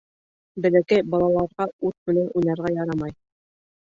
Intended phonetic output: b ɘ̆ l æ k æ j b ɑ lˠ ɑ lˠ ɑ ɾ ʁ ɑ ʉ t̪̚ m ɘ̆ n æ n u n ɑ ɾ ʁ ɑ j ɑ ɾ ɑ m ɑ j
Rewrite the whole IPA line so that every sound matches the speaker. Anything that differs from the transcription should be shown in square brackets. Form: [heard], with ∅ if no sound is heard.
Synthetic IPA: b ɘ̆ l æ k æ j b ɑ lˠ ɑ lˠ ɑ ɾ ʁ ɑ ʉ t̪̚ m ɘ̆ n æ n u n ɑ ɾ ʁ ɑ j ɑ ɾ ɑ m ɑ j